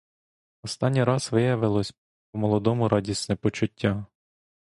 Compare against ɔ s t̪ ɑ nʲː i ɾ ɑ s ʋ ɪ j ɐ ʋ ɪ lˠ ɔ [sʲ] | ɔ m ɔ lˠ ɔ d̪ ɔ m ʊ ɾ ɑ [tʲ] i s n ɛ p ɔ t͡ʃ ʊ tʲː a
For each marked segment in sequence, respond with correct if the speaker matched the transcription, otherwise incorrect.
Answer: correct, incorrect: dʲ

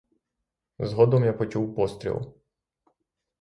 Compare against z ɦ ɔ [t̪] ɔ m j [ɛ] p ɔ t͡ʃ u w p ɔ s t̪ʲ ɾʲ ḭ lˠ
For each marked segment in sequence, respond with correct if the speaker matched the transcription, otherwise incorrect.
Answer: incorrect: d̪, incorrect: a

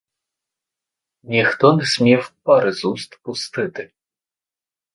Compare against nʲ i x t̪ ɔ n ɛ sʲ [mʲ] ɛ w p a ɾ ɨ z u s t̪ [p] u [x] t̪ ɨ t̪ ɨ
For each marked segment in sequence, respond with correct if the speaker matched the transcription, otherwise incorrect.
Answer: correct, correct, incorrect: s

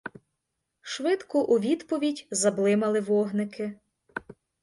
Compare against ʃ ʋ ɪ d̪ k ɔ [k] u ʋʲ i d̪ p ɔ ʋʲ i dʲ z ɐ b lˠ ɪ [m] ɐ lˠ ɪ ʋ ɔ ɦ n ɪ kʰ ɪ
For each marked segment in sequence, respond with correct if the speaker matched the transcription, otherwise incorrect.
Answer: incorrect: ʔ, correct

